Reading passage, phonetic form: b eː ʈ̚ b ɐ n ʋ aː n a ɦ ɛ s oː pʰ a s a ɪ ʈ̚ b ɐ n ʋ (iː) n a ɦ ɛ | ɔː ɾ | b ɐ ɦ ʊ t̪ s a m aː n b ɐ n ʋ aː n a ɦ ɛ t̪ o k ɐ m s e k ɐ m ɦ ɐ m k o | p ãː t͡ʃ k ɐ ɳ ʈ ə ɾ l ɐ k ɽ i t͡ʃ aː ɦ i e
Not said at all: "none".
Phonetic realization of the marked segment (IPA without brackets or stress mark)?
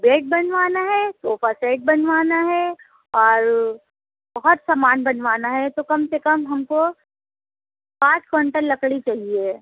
aː